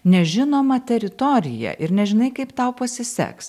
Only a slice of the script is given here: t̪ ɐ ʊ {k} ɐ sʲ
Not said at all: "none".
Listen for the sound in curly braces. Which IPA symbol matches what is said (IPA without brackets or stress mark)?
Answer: p